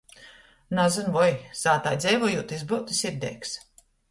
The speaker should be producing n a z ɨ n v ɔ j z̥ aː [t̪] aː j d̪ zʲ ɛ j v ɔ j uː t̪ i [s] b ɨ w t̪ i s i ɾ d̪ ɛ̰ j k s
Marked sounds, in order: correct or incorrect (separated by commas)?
correct, incorrect